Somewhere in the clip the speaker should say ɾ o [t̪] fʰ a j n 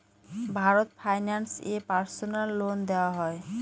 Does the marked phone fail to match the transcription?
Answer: no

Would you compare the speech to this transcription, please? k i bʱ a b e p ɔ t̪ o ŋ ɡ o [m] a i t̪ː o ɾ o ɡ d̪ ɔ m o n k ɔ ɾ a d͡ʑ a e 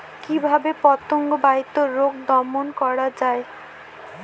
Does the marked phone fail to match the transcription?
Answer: yes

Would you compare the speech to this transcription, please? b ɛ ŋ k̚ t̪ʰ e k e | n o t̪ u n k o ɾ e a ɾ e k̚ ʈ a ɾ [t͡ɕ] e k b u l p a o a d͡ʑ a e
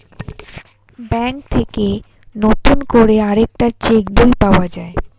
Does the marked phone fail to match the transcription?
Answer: no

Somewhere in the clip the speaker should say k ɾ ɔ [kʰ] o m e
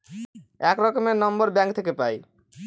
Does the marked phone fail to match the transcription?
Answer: yes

